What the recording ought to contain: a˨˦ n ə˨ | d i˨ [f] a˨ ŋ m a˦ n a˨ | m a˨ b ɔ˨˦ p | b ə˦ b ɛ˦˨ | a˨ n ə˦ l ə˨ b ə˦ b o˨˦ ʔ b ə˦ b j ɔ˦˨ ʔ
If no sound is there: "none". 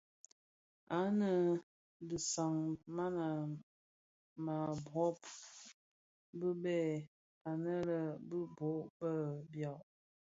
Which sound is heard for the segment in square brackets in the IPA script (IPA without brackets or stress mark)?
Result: s